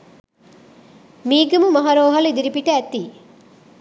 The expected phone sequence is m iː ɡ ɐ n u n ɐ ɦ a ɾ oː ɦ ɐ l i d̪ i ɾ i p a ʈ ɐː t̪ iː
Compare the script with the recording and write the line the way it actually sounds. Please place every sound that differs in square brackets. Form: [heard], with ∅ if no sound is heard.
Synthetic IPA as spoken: m iː ɡ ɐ [m] u [m] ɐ ɦ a ɾ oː ɦ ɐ l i d̪ i ɾ i p [i] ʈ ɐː t̪ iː